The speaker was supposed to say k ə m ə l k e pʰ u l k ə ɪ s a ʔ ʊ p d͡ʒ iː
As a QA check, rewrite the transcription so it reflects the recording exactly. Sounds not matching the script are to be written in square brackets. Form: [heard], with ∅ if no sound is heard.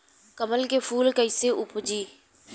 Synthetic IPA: k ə m ə l k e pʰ [uː] l k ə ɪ s [e] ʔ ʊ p d͡ʒ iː